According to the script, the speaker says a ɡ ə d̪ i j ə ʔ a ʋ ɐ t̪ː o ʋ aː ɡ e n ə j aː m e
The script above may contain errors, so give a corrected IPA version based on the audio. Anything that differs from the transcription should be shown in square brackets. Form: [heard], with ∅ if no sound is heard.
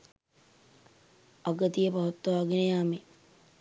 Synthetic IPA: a ɡ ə [t̪] i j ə [p] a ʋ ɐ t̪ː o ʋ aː ɡ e n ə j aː m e